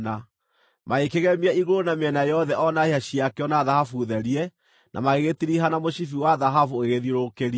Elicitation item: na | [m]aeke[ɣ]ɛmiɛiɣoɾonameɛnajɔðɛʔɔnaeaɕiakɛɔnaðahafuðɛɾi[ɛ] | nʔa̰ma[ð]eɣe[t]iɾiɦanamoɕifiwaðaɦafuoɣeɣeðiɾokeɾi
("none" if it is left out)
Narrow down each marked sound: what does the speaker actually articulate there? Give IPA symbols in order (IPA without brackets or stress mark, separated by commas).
m, ɣ, ɛ, ɣ, t